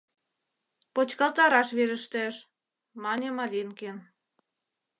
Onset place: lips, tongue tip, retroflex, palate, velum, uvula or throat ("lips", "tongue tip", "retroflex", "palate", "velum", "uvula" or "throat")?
lips